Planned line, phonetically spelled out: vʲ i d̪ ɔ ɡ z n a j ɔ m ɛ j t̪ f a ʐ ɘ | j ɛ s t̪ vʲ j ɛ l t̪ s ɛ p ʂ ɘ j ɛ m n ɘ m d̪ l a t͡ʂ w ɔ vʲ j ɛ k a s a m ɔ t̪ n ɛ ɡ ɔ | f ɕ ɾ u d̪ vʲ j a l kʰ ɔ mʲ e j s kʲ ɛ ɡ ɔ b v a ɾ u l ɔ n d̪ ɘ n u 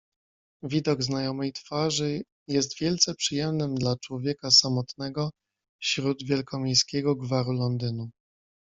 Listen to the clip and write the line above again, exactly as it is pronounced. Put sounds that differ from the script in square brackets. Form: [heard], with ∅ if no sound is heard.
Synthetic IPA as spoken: vʲ i d̪ ɔ ɡ z n a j ɔ m ɛ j t̪ f a ʐ ɘ | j ɛ s t̪ vʲ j ɛ l t̪ s ɛ p ʂ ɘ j ɛ m n ɘ m d̪ l a t͡ʂ w ɔ vʲ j ɛ k a s a m ɔ t̪ n ɛ ɡ ɔ | f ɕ ɾ u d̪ vʲ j [ɛ] l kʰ ɔ mʲ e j s kʲ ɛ ɡ ɔ [ɡ] v a ɾ u l ɔ n d̪ ɘ n u